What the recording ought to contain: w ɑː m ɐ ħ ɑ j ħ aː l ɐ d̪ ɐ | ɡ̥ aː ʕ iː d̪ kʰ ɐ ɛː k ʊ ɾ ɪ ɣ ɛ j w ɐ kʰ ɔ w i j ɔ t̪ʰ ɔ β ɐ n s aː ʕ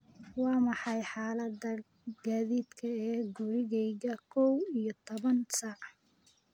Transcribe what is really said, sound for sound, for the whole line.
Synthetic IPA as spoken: w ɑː m ɑ ħ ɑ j ħ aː l ɐ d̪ ɐ | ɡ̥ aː ð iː d̪ kʰ ɐ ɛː ɡ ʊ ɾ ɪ ɣ ɛ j ɣ ɐ kʰ ɔ w i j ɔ t̪ʰ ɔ β ɐ n s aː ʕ